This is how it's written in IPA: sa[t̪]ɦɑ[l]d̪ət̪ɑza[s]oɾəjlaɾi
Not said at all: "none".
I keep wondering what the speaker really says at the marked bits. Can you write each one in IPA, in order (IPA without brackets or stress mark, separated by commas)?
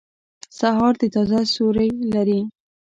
none, ɾ, s